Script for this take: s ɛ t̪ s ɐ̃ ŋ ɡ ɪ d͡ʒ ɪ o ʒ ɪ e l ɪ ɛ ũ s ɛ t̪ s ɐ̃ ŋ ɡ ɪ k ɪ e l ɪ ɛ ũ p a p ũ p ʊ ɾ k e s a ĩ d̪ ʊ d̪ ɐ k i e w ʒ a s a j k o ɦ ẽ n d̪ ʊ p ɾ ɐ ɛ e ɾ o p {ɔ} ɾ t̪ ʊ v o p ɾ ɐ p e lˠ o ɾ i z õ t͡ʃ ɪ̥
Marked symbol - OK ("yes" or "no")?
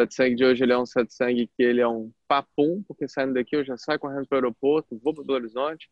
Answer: no